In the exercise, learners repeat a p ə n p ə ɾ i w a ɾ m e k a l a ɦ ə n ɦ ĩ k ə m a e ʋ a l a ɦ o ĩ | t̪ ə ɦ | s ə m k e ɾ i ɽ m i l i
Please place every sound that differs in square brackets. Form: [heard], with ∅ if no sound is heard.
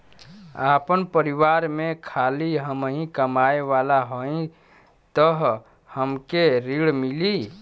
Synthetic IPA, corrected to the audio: a p ə n p ə ɾ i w a ɾ m e [kʰ] a l [i] ɦ ə [m] ɦ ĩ k ə m a e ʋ a l a ɦ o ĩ | t̪ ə ɦ | [h] ə m k e ɾ i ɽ m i l i